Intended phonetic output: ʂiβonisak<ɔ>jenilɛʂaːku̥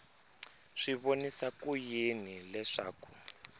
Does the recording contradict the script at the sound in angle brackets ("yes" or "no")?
yes